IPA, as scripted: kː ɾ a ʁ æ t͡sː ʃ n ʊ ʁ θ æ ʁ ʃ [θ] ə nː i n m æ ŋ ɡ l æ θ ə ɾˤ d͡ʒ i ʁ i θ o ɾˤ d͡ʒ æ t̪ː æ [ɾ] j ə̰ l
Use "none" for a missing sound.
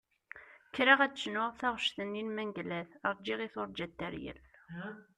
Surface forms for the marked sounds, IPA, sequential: θ, ɾ

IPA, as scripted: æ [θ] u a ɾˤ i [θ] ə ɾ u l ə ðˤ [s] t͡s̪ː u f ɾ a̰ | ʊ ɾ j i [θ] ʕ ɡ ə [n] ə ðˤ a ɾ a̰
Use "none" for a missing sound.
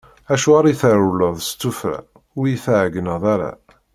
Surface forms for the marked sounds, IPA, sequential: ʃ, θ, s, θ, n

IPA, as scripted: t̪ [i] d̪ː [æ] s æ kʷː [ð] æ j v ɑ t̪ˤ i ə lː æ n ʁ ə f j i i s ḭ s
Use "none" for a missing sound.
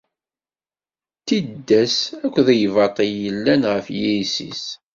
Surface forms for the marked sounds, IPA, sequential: i, æ, ð

